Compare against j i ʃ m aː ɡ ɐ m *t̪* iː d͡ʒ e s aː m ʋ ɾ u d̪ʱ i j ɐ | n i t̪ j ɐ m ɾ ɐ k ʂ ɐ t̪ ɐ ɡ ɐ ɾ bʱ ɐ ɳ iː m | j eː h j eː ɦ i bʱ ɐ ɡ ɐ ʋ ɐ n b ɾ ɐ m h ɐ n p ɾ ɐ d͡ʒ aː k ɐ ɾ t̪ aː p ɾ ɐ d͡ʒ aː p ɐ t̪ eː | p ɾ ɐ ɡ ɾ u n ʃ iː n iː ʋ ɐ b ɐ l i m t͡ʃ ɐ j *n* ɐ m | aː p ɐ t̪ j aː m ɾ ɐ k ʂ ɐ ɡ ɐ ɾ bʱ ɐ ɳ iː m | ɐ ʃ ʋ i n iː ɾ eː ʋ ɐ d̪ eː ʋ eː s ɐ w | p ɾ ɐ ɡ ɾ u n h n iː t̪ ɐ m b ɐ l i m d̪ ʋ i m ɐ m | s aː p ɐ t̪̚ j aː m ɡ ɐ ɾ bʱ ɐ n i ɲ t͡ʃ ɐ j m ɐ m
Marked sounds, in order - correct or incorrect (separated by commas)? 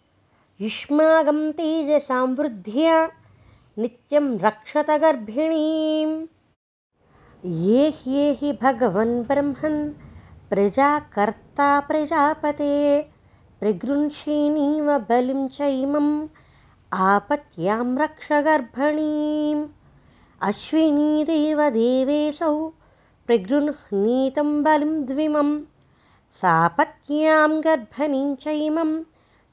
correct, incorrect